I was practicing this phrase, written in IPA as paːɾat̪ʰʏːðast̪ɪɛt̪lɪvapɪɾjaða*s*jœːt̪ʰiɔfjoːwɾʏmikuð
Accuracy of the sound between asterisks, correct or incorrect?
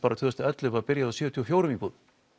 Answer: correct